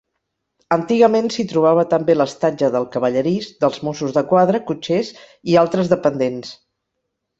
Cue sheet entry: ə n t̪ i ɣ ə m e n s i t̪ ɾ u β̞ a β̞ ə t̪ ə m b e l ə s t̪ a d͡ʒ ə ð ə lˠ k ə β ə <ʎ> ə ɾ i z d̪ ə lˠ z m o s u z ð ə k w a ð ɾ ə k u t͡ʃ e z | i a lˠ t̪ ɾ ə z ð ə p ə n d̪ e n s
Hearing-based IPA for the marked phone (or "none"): ʎ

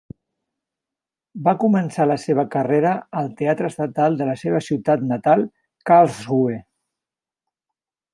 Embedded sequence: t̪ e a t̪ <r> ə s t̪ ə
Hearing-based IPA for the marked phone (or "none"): ɾ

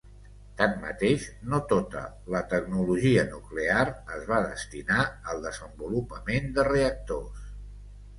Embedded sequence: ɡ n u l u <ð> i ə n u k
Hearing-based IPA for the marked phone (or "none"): ʒ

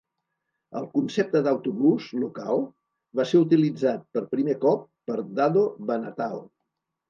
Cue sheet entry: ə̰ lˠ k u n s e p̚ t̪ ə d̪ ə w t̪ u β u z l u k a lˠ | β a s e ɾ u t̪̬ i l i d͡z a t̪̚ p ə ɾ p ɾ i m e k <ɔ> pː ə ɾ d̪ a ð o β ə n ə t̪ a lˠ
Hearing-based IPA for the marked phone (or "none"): ɔ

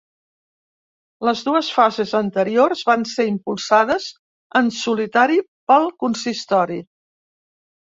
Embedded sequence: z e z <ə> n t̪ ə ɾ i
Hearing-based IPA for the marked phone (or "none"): ə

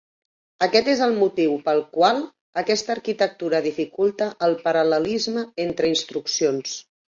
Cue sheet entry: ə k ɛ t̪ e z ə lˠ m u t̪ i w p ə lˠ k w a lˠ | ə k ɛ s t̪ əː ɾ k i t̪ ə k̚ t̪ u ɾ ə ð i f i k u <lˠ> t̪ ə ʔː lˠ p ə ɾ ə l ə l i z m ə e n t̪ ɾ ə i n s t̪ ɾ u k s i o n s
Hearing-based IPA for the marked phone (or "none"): lˠ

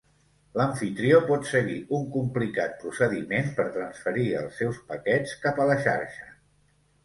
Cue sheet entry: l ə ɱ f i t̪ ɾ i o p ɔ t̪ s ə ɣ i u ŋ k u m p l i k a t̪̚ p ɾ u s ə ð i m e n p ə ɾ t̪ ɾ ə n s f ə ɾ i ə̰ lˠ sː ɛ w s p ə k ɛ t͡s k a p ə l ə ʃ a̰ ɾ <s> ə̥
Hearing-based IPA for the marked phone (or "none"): ʃ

